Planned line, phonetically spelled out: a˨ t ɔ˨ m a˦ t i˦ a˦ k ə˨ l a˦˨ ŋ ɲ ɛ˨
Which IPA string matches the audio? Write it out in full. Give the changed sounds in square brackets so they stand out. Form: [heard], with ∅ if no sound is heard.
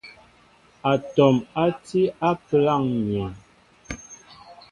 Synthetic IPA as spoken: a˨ t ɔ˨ m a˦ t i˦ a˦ [p] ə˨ l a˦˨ ŋ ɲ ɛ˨